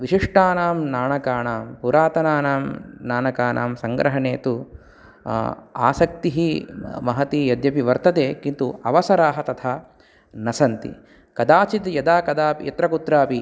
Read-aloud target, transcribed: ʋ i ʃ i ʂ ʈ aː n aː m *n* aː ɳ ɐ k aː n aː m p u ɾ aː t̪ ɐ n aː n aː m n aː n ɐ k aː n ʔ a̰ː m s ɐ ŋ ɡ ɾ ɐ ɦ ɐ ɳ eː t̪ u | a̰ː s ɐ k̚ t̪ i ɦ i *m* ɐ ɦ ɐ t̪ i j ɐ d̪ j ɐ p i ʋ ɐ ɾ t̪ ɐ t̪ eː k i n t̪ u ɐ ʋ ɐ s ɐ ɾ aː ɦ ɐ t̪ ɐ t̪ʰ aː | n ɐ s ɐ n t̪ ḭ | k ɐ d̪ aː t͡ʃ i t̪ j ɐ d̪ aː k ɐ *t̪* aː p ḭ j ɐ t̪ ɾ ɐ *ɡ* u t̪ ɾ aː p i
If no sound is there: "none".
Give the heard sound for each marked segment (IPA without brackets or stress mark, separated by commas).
n, m, d̪, k